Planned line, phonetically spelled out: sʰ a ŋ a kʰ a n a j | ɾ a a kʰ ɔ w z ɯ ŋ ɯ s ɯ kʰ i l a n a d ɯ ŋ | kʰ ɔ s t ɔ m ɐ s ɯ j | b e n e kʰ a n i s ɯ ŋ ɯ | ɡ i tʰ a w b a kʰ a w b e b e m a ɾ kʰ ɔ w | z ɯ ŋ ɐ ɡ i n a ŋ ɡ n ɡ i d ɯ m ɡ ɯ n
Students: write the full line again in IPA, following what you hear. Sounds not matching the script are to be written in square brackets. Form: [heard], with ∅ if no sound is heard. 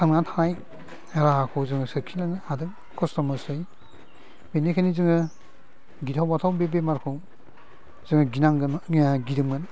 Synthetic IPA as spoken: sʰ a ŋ a [tʰ] a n a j | ɾ a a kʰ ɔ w z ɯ ŋ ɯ s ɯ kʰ i l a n a d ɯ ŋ | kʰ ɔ s t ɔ m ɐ s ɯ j | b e n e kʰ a n i [z] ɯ ŋ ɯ | ɡ i tʰ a w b a [tʰ] a w b e b e m a ɾ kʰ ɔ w | z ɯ ŋ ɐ ɡ i n a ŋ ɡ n ɡ i d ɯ m ɡ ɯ n